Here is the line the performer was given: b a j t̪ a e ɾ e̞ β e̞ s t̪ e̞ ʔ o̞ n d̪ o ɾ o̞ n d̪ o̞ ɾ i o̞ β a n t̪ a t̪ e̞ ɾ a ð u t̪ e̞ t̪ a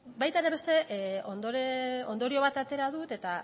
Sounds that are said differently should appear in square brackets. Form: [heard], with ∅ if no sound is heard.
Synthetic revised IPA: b a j t̪ a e ɾ e̞ β e̞ s t̪ e̞ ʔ o̞ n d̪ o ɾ o̞ n d̪ o̞ ɾ i o̞ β a [∅] t̪ a t̪ e̞ ɾ a ð u t̪ e̞ t̪ a